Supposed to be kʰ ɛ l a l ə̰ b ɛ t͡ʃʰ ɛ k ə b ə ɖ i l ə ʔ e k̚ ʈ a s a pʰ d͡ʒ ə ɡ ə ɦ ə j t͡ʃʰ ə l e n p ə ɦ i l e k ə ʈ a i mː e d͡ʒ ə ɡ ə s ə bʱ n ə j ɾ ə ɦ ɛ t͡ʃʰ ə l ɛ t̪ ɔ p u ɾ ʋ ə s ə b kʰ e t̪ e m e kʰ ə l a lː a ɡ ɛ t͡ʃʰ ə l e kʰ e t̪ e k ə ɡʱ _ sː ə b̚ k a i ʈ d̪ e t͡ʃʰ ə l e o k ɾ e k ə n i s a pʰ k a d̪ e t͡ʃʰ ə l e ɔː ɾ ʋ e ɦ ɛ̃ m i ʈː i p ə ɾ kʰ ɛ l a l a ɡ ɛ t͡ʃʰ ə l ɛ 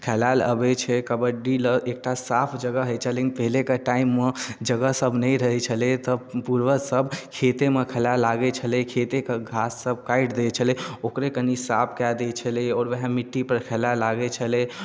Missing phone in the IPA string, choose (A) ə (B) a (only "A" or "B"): B